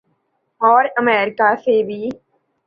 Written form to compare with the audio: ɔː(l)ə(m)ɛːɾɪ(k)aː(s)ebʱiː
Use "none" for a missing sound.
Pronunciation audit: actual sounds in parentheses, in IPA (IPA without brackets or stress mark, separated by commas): ɾ, m, k, s